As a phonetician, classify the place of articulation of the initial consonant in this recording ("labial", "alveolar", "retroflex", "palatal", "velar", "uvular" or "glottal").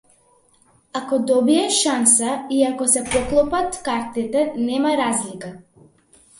velar